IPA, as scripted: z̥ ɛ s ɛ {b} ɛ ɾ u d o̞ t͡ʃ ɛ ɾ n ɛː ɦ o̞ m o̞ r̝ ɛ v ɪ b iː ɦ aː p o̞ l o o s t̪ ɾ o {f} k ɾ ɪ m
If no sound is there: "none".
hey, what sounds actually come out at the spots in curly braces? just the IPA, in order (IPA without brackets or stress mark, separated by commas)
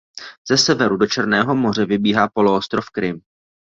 v, f